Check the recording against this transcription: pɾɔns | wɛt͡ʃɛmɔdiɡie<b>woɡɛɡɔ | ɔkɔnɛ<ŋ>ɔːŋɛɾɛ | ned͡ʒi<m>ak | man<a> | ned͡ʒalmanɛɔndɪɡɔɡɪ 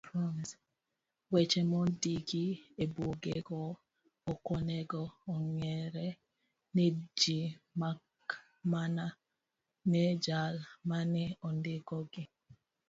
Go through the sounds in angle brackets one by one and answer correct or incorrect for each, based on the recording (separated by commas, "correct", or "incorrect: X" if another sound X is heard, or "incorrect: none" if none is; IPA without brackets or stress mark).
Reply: correct, incorrect: ɡ, correct, correct